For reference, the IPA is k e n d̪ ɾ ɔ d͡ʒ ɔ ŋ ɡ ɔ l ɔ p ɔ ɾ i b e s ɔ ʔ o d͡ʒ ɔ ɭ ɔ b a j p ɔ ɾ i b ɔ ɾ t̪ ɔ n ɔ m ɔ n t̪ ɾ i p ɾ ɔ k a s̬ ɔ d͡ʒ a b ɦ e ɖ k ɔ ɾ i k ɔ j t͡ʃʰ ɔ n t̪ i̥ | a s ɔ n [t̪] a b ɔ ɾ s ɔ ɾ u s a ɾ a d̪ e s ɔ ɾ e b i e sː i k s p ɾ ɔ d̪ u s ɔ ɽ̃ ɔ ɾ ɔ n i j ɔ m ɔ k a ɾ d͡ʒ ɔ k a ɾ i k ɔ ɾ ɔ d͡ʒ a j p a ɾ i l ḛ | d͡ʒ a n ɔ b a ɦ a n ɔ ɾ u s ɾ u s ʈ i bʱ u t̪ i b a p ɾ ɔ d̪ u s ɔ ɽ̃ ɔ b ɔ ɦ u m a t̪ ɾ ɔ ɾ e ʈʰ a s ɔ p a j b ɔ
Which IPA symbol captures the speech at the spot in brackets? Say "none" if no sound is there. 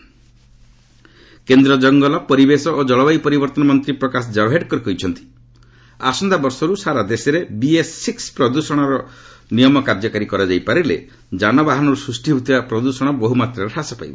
d̪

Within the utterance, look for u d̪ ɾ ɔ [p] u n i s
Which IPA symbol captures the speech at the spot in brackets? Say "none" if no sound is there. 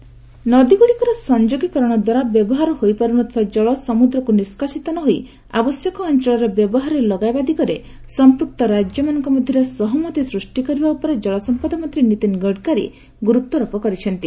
k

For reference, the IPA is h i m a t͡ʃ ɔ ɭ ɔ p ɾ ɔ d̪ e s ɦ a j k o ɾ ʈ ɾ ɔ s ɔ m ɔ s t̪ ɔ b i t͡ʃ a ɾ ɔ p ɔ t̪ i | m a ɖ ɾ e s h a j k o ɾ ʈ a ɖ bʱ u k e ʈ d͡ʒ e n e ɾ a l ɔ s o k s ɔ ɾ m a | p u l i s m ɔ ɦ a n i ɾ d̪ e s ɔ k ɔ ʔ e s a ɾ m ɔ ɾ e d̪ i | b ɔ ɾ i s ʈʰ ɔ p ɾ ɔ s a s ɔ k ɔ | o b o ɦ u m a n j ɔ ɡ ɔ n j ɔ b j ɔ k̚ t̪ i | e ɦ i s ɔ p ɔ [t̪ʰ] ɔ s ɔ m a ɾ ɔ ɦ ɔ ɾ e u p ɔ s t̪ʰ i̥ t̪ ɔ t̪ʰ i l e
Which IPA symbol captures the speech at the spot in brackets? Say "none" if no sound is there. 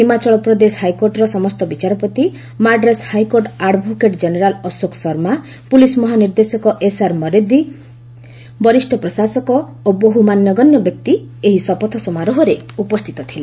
t̪ʰ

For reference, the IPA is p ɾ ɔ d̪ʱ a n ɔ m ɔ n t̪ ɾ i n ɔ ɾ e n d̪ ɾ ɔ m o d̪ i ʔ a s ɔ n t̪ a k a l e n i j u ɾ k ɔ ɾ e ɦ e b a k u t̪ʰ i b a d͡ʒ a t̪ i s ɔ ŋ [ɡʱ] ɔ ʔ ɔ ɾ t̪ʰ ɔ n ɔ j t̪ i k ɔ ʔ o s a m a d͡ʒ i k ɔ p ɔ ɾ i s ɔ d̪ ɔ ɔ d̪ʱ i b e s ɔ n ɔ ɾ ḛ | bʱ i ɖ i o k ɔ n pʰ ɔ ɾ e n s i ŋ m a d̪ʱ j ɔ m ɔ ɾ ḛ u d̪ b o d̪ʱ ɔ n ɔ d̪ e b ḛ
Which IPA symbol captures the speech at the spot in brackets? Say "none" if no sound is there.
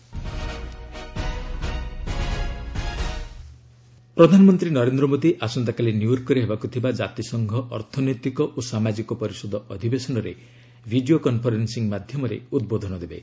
ɡʱ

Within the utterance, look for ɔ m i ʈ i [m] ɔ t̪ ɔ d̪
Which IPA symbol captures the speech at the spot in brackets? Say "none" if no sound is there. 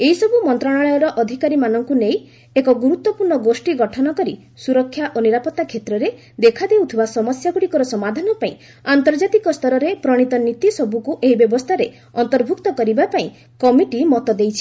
m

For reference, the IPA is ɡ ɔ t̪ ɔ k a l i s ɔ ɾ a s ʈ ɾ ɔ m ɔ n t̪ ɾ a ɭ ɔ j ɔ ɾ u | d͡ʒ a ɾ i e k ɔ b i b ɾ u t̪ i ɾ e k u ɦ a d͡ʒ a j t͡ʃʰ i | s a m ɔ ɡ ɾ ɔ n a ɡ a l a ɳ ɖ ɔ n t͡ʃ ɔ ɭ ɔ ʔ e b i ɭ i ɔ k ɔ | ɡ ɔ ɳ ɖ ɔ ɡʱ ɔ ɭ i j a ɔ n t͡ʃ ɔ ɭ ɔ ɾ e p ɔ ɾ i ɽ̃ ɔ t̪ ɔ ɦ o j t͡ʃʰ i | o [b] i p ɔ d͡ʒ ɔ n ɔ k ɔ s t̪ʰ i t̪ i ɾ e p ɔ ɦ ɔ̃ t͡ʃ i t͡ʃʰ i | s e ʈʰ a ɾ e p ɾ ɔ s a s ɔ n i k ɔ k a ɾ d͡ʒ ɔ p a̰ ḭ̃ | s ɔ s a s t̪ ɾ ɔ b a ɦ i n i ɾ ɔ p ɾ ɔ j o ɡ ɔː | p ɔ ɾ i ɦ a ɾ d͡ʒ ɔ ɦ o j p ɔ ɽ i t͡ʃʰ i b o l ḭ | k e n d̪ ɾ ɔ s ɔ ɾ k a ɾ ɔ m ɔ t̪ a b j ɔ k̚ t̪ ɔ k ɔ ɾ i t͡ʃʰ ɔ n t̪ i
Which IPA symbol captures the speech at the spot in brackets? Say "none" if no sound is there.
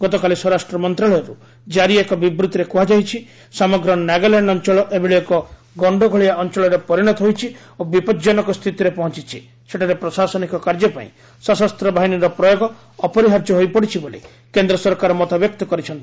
b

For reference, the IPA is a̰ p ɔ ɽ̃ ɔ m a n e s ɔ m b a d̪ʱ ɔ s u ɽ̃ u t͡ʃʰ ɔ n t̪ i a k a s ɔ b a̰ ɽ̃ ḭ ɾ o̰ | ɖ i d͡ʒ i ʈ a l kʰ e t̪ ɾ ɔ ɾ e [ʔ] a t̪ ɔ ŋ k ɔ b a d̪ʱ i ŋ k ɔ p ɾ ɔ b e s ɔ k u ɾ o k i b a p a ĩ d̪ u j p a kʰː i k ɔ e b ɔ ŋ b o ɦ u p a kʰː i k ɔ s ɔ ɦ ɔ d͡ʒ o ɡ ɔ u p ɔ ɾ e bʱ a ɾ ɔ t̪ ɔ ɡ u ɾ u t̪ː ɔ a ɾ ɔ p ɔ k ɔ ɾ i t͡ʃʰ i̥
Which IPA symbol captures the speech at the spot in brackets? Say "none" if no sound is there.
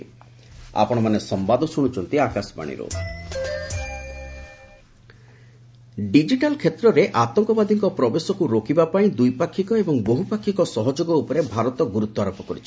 ʔ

